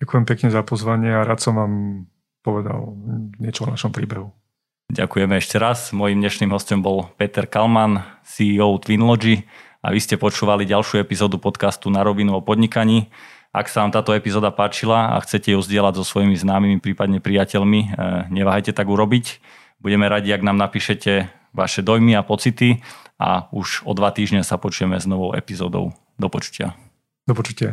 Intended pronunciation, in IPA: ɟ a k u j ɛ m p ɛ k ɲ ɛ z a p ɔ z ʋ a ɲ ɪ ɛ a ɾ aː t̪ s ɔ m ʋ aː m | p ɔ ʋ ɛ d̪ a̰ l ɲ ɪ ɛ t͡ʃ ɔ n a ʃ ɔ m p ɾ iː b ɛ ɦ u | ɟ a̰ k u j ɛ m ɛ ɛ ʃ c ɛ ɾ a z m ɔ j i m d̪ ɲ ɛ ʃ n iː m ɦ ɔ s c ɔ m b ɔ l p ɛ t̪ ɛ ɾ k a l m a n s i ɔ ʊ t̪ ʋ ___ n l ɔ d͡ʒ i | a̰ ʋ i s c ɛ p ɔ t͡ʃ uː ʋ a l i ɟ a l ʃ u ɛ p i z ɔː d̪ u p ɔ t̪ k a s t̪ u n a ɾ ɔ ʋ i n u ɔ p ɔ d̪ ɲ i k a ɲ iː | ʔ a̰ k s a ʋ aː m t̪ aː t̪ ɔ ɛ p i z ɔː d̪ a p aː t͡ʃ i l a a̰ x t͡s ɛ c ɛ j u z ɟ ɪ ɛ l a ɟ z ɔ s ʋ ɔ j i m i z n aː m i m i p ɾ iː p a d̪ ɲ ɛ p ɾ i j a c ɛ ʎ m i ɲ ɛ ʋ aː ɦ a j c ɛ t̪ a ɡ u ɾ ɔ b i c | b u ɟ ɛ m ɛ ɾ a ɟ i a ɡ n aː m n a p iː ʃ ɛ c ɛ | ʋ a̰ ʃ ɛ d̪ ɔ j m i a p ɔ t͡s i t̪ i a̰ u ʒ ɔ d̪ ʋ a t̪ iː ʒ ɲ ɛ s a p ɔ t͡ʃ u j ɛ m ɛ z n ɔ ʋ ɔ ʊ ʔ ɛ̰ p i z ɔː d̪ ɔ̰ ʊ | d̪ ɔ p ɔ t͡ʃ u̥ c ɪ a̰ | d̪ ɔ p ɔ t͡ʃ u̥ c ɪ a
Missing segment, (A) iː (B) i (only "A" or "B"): B